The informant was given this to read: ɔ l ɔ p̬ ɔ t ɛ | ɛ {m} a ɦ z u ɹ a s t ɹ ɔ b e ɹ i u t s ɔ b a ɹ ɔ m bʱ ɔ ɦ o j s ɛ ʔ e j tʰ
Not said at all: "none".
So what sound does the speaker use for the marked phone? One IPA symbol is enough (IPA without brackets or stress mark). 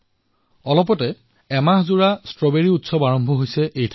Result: m